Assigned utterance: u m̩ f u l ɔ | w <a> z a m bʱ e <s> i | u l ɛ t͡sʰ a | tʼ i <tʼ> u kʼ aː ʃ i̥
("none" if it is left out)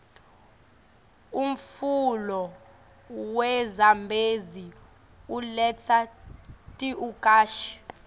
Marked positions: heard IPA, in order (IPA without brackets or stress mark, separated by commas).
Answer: ɛ, z, none